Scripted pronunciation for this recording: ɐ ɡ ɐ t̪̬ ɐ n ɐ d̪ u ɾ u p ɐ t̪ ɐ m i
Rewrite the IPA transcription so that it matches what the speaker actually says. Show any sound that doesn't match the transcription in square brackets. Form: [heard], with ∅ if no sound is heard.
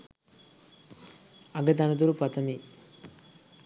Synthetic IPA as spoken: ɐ ɡ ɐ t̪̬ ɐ n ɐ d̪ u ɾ u p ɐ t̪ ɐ m i